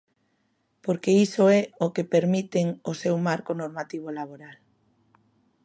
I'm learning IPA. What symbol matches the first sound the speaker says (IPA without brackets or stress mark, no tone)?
p